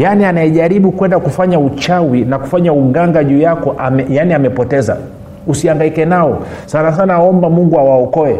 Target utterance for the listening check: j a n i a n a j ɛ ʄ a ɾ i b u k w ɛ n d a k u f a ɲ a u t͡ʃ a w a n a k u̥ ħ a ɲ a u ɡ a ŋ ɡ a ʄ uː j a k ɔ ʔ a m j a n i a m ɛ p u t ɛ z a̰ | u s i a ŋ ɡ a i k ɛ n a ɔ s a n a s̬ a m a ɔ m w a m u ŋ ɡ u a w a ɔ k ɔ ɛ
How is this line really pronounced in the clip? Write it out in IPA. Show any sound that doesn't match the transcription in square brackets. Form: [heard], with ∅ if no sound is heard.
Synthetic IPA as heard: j a n i a n a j ɛ ʄ a ɾ i [ɓ] u k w ɛ n d a k u f a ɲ a u t͡ʃ a w [i] n a k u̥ [f] a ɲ a u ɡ a ŋ ɡ a ʄ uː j a k ɔ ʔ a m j a n i a m ɛ p [ɔ] t ɛ z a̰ | u s i a ŋ ɡ a i k ɛ n a ɔ s a n a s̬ a [n] a ɔ m [b] a m u ŋ ɡ u a w a ɔ k ɔ ɛ